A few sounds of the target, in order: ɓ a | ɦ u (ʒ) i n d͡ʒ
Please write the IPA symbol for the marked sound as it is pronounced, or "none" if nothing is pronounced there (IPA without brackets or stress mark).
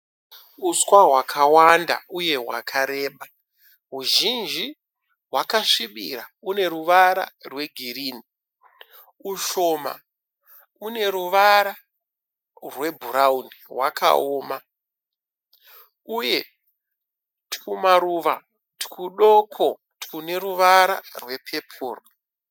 ʒ